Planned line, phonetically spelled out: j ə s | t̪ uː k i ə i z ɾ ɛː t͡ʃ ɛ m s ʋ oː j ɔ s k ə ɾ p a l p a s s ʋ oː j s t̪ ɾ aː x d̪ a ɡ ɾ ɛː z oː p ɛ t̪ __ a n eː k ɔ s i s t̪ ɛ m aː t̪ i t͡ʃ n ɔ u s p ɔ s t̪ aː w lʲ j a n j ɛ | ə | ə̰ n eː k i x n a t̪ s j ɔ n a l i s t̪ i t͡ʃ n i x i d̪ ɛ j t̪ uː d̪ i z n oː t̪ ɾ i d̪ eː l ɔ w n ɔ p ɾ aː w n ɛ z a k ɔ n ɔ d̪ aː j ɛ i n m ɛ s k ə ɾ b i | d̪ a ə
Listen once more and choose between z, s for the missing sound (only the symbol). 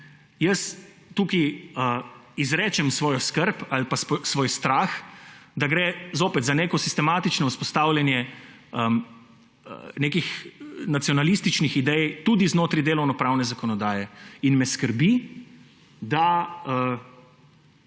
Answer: z